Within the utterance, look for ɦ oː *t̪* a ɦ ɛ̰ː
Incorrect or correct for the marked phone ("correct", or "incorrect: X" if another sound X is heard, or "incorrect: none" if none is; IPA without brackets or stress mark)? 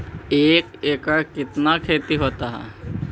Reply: correct